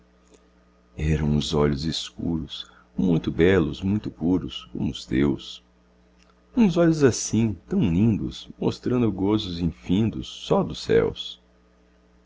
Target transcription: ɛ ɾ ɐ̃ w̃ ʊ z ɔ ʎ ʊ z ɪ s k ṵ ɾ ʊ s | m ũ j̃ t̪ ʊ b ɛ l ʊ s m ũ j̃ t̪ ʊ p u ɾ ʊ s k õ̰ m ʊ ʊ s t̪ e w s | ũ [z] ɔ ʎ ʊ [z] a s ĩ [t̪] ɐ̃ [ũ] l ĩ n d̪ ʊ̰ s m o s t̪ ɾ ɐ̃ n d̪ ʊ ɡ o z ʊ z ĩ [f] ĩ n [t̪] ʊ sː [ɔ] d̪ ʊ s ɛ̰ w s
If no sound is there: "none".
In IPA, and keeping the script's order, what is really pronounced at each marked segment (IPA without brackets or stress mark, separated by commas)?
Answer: z, z, t̪, w̃, f, d̪, ɔ